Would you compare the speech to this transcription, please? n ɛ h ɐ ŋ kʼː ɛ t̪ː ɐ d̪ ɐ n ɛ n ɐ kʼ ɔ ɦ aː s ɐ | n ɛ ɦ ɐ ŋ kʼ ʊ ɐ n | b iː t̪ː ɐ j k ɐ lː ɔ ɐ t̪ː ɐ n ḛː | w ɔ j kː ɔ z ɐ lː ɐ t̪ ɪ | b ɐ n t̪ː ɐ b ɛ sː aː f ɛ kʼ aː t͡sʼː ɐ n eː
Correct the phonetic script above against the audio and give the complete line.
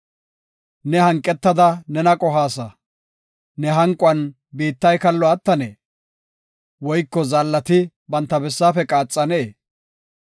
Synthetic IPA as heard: n ɛ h ɐ ŋ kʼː ɛ t̪ː ɐ d̪ ɐ n ɛ n ɐ kʼ ɔ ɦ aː s ɐ | n ɛ ɦ ɐ ŋ kʼ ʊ ɐ n | b iː t̪ː ɐ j k ɐ lː ɔ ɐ t̪ː ɐ n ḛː | w ɔ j kː ɔ z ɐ lː ɐ t̪ ɪ | b ɐ n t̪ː ɐ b ɛ sː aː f ɛ kʼ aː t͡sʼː ɐ n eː